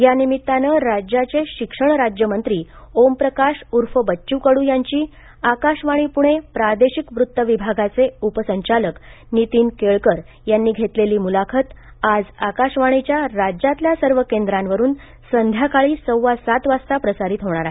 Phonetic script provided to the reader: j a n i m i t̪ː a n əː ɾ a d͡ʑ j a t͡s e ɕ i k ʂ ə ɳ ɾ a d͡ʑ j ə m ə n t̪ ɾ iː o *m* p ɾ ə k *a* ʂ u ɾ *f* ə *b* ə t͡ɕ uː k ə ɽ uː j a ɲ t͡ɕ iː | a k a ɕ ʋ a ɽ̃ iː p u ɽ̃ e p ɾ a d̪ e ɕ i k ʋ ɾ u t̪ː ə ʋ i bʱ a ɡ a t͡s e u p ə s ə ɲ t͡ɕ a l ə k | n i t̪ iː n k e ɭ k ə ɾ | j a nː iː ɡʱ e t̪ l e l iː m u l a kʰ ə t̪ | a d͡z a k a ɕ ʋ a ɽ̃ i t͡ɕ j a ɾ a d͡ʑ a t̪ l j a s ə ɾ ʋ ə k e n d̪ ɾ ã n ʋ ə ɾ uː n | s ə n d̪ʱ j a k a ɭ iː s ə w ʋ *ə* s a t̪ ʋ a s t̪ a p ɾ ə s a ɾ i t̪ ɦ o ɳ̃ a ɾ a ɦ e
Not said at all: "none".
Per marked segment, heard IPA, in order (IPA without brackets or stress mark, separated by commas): m, a, f, b, a